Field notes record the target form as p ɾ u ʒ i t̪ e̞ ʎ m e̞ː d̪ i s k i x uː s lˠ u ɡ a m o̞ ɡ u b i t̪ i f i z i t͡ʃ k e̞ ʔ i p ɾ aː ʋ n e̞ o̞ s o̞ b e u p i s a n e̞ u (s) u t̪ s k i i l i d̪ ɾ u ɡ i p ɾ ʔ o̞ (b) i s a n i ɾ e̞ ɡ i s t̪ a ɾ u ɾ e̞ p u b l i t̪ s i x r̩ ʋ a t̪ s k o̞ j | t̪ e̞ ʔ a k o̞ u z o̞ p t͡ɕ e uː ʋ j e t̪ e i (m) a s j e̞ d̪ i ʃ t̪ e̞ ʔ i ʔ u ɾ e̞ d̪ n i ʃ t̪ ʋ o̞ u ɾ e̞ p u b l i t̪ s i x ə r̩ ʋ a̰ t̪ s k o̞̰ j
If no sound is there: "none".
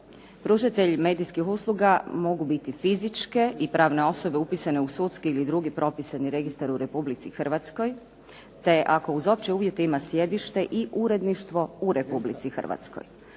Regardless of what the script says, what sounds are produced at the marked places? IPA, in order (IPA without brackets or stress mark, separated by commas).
s, p, m